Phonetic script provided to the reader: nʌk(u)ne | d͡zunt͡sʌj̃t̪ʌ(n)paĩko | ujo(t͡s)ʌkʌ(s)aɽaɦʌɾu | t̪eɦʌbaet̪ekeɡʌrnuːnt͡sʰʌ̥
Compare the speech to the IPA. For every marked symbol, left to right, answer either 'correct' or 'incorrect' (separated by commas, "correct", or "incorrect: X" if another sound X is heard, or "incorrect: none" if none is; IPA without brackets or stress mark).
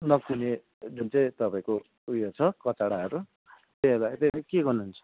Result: correct, incorrect: none, incorrect: t͡sʰ, incorrect: t͡s